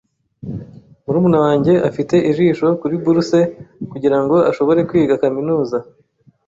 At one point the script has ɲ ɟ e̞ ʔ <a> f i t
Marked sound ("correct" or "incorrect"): correct